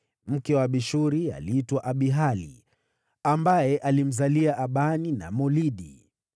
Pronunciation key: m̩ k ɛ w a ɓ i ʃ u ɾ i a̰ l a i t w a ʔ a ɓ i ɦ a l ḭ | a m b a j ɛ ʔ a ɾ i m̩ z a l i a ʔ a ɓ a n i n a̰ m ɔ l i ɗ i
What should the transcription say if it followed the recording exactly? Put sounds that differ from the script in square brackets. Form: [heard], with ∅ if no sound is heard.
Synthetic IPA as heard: m̩ k ɛ w a ɓ i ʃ u ɾ i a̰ l [i] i t w a ʔ a ɓ i ɦ a l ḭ | a m b a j ɛ ʔ a [l] i m̩ z a l i a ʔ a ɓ a n i n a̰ m ɔ l i ɗ i

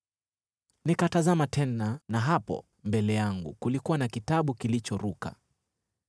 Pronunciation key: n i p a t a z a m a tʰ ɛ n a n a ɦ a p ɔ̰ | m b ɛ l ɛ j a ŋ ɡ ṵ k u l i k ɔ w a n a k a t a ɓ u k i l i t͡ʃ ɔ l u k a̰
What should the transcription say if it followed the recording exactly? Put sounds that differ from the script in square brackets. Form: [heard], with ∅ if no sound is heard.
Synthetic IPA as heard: n i [k] a t a z a m a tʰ ɛ n a n a ɦ a p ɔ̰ | m b ɛ l ɛ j a ŋ ɡ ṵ k u l i k [u] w a n a k [i] t a ɓ u k i l i t͡ʃ ɔ [ɾ] u k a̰

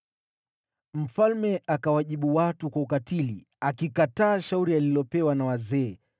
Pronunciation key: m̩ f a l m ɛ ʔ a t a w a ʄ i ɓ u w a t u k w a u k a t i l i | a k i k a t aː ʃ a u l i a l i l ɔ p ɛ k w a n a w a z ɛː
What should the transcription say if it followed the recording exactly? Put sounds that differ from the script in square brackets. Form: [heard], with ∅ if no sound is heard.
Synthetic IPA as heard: m̩ f a l m ɛ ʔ a [k] a w a ʄ i ɓ u w a t u k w a u k a t i l i | a k i k a t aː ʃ a u [ɾ] i a l i l ɔ p ɛ [∅] w a n a w a z ɛː

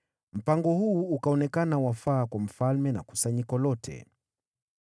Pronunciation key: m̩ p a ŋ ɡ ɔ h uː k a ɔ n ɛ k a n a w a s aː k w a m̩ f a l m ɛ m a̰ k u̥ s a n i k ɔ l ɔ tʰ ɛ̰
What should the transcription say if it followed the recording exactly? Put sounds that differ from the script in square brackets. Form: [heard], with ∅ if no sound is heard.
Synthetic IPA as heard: m̩ p a ŋ ɡ ɔ h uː k a ɔ n ɛ k a n a w a [f] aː k w a m̩ f a l m ɛ [n] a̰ k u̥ s a [ɲ] i k ɔ l ɔ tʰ ɛ̰

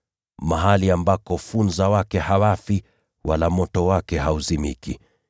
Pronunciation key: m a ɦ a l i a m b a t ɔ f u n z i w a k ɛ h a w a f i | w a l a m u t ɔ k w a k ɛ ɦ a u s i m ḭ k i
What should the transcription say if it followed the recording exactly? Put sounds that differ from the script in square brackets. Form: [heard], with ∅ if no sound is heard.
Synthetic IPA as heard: m a ɦ a l i a m b a [k] ɔ f u n z [a] w a k ɛ h a w a f i | w a l a m [ɔ] t ɔ [∅] w a k ɛ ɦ a u [z] i m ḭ k i

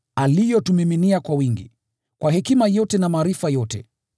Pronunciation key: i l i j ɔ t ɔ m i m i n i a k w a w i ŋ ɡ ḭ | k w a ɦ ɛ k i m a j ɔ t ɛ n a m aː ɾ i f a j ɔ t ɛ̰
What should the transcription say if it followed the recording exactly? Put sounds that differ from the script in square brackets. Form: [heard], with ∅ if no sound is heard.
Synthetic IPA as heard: [a] l i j ɔ t [u] m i m i n i a k w a w i ŋ ɡ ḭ | k w a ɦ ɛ k i m a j ɔ t ɛ n a m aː ɾ i f a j ɔ t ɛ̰

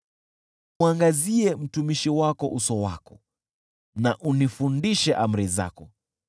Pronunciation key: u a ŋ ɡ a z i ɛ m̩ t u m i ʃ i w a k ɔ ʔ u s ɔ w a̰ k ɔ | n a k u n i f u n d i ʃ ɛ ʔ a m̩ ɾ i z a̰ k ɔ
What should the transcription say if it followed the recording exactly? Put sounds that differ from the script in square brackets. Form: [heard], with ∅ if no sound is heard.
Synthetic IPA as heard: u a ŋ ɡ a z i ɛ m̩ t u m i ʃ i w a k ɔ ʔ u s ɔ w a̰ k ɔ | n a [ʔ] u n i f u n d i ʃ ɛ ʔ a m̩ ɾ i z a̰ k ɔ

